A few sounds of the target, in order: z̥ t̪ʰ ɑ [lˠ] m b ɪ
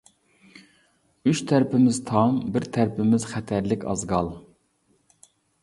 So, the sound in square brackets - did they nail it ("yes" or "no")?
no